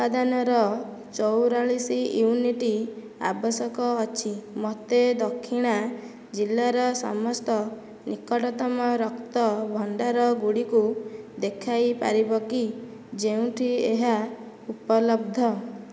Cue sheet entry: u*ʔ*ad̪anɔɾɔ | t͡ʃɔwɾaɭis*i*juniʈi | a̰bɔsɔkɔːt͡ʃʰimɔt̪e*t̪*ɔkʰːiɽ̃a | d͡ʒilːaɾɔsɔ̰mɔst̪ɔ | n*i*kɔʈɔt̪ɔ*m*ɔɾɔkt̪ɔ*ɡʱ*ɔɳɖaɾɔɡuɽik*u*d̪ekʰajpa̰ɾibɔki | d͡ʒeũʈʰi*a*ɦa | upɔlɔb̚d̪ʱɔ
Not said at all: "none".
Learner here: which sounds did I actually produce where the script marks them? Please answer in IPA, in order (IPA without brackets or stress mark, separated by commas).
p, i, d̪, i, m, bʱ, u, e